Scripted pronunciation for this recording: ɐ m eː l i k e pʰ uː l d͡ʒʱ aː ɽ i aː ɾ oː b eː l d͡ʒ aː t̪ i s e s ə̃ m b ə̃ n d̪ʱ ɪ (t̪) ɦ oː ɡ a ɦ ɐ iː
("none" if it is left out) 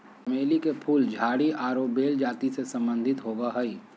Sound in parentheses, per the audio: t̪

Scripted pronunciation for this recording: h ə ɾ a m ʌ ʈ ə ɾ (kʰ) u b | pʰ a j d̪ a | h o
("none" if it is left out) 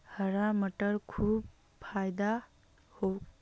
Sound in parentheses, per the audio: kʰ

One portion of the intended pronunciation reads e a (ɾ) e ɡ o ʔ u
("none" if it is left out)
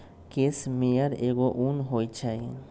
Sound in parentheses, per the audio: ɾ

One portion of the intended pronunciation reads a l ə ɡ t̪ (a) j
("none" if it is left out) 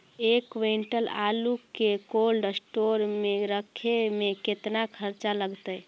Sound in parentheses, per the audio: ə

